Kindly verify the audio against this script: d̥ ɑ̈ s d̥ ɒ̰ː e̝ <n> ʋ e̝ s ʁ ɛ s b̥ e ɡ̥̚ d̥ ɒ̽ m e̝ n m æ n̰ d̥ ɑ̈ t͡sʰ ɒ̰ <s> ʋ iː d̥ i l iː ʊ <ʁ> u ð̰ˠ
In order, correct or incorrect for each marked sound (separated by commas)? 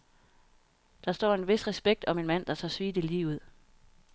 correct, correct, incorrect